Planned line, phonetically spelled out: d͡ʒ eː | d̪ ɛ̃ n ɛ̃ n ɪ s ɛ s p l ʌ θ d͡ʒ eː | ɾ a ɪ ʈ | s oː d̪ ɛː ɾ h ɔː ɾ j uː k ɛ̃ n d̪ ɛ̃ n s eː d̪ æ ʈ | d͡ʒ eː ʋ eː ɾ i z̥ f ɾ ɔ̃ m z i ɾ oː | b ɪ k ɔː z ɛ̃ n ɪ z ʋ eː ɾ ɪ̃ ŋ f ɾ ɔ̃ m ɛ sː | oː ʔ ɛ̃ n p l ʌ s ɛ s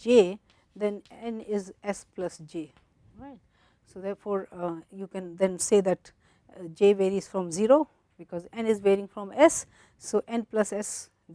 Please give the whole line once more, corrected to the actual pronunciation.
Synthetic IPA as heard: d͡ʒ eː | d̪ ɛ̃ n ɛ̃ n ɪ z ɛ s p l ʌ s d͡ʒ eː | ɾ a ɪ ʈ | s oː d̪ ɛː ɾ f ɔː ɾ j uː k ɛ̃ n d̪ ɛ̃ n s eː d̪ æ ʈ | d͡ʒ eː ʋ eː ɾ i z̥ f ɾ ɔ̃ m z i ɾ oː | b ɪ k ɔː z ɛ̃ n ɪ z ʋ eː ɾ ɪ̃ ŋ f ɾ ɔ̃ m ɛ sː | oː ʔ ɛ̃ n p l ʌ s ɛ s